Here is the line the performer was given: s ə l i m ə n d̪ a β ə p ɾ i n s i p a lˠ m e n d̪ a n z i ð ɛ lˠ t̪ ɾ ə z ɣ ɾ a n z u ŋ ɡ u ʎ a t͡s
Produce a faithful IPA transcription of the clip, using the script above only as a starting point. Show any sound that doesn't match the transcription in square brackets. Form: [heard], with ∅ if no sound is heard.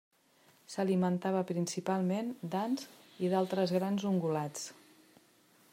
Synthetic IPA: s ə l i m ə n [t̪] a β ə p ɾ i n s i p a lˠ m e n d̪ a n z i ð [a] lˠ t̪ ɾ ə z ɣ ɾ a n z u ŋ ɡ u [l] a t͡s

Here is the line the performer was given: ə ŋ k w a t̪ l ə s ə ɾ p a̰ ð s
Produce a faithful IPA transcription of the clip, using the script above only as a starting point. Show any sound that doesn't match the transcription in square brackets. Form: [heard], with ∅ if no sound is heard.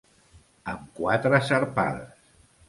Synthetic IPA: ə [m] k w a t̪ [ɾ] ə s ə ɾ p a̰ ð s

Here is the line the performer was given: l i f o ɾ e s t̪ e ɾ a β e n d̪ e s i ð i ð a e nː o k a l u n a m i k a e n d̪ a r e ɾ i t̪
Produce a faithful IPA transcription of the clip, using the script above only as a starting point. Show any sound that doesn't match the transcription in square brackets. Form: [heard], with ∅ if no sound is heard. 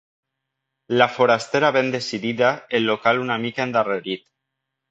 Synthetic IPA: l [a] f o ɾ [a] s t̪ e ɾ a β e n d̪ e s i ð i ð a e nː o k a l u n a m i k a e n d̪ a r e ɾ i t̪

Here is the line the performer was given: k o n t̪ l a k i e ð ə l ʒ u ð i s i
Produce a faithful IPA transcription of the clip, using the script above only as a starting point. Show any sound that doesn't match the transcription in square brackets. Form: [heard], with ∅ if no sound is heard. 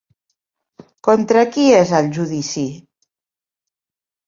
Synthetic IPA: k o n t̪ [ɾ] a k i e [z] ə l ʒ u ð i s i

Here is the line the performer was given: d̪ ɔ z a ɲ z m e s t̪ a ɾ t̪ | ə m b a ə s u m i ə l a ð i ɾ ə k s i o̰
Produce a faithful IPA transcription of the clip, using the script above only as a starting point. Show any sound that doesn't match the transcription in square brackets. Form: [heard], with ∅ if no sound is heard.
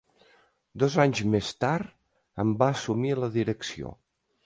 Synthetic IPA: d̪ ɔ z a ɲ z m e s t̪ a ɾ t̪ | ə m b a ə s u m i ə l [ə] ð i ɾ ə k s i o̰

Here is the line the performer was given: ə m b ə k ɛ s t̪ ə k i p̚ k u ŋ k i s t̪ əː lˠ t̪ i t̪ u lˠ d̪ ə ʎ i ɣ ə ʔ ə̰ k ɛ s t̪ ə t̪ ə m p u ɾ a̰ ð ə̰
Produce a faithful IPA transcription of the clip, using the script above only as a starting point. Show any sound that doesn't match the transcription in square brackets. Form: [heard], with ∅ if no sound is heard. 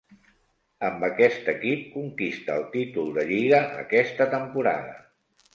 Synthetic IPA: ə m b ə k ɛ s t̪ ə k i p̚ k u ŋ k i s t̪ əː lˠ t̪ i t̪ u lˠ d̪ ə ʎ i ɣ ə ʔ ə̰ k ɛ s t̪ ə t̪ ə m p u ɾ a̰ ð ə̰

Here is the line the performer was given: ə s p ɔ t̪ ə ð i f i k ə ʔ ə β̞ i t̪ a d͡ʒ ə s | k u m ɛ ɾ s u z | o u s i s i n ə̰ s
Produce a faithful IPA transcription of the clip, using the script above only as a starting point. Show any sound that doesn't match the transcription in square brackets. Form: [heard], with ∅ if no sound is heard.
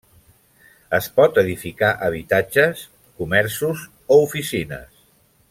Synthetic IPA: ə s p ɔ t̪ ə ð i f i k [a] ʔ ə β̞ i t̪ a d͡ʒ ə s | k u m ɛ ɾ s u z | o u [f] i s i n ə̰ s

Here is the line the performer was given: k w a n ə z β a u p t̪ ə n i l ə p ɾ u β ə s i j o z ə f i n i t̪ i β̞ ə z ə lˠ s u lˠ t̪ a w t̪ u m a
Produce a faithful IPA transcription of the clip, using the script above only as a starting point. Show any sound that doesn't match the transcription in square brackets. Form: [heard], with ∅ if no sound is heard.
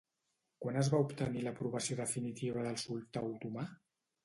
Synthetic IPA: k w a n ə z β a u p t̪ ə n i l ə p ɾ u β ə s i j o [ð] ə f i n i t̪ i β̞ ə [ð] ə lˠ s u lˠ t̪ a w t̪ u m a

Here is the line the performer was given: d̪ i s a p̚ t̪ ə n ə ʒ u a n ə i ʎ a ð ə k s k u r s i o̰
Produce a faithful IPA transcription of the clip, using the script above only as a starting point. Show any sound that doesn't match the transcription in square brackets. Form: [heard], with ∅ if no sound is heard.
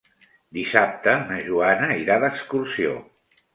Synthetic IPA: d̪ i s a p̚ t̪ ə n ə ʒ u a n ə i [ɾ] a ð ə k s k u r s i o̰

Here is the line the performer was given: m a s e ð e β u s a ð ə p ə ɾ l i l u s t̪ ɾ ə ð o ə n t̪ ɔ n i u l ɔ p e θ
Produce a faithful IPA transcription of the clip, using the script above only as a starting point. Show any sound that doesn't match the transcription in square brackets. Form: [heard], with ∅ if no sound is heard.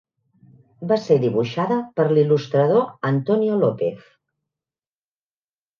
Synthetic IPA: [b] a s e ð [i] β u [ʃ] a ð ə p ə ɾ l i l u s t̪ ɾ ə ð o ə n t̪ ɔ n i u l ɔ p e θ

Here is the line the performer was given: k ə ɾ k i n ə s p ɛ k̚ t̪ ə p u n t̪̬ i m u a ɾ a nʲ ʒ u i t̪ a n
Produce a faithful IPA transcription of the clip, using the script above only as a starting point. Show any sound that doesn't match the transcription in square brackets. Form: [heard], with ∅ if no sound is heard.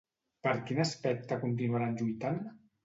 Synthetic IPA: [p] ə ɾ k i n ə s p ɛ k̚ t̪ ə [k] u n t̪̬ i [n] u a ɾ a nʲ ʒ u [j] t̪ a n

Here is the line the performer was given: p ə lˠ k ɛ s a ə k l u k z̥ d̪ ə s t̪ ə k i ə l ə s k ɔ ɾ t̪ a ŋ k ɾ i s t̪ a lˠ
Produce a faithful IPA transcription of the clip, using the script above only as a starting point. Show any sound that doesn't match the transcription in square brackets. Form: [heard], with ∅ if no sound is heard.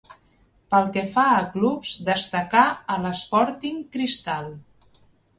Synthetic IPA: p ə lˠ k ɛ [f] a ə k l u [p] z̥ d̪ ə s t̪ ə k [a] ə l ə s [p] ɔ ɾ t̪ [i] ŋ k ɾ i s t̪ a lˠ

